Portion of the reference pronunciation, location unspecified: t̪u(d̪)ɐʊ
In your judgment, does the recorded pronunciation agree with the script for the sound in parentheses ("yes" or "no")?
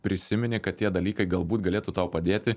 no